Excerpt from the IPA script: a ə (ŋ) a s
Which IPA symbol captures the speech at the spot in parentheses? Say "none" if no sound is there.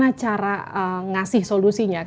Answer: ŋ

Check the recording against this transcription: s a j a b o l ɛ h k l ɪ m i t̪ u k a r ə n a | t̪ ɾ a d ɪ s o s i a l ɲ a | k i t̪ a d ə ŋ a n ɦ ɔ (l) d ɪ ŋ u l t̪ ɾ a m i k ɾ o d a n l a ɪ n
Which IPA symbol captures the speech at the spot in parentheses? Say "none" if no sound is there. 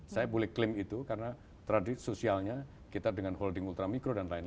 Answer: l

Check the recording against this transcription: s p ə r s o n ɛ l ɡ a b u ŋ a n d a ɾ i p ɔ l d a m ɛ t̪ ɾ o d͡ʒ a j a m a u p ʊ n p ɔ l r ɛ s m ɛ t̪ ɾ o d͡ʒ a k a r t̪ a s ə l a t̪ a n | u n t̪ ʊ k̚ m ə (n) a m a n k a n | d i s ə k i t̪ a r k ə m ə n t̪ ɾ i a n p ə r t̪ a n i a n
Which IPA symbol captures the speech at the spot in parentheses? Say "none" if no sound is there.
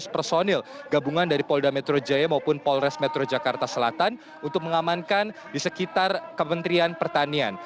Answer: ŋ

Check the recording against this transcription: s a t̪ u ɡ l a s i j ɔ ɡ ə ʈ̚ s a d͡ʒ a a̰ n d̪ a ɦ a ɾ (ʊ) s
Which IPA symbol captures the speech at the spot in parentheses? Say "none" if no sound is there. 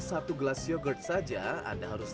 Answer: u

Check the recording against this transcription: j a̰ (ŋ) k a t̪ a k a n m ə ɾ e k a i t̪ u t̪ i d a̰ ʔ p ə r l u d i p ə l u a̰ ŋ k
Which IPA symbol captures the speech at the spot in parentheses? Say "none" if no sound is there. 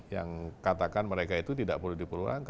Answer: ŋ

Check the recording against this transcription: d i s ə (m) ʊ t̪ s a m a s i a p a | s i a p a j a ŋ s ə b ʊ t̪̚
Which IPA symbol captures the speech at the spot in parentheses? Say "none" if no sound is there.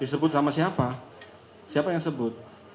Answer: b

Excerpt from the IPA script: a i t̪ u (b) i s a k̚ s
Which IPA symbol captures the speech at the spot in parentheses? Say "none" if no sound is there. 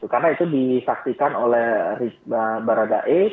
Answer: d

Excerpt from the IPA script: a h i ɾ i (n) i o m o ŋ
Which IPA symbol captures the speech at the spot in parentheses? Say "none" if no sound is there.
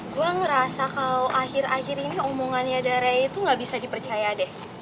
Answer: n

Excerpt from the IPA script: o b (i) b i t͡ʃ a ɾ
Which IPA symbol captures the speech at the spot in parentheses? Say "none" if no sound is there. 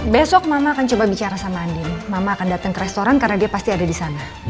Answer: a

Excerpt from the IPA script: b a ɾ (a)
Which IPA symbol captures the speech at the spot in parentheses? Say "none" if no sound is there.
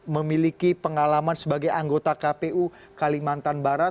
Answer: a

